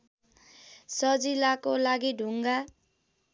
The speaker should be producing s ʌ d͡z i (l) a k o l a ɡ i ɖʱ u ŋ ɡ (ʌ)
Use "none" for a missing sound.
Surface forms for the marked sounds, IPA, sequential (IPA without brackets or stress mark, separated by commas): l, a